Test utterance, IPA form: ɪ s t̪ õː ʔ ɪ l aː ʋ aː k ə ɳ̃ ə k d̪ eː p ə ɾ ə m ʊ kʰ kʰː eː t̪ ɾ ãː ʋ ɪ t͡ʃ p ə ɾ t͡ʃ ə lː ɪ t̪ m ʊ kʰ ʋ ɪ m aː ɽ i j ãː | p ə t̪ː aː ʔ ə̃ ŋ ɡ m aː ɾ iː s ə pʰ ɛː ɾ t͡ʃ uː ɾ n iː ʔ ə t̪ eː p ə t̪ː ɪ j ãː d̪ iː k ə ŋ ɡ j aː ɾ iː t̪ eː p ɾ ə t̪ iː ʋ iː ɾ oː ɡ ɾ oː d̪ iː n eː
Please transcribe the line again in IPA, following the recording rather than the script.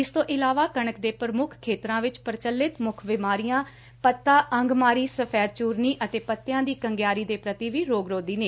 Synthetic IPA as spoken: ɪ s t̪ õː ʔ ɪ l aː ʋ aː k ə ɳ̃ ə k d̪ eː p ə ɾ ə m ʊ kʰ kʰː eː t̪ ɾ ãː ʋ ɪ t͡ʃ p ə ɾ t͡ʃ ə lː ɪ t̪ m ʊ kʰ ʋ ɪ m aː ɾ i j ãː | p ə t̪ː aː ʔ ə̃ ŋ ɡ m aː ɾ iː s ə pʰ ɛː ɾ t͡ʃ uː ɾ n iː ʔ ə t̪ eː p ə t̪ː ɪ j ãː d̪ iː k ə ŋ ɡ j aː ɾ iː d̪ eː p ɾ ə t̪ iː ʋ iː ɾ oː ɡ ɾ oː d̪ iː n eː